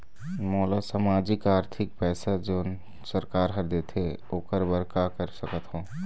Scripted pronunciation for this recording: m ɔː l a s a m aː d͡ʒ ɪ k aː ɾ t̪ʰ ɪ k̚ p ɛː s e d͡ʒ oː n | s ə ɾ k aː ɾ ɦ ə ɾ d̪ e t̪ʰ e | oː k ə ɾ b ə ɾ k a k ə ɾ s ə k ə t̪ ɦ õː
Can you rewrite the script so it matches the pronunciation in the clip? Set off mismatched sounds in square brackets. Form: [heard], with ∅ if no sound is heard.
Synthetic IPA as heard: m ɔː l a s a m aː d͡ʒ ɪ k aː ɾ t̪ʰ ɪ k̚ p ɛː s [a] d͡ʒ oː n | s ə ɾ k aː ɾ ɦ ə ɾ d̪ e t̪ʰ e | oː k ə ɾ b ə ɾ k a k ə ɾ s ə k ə t̪ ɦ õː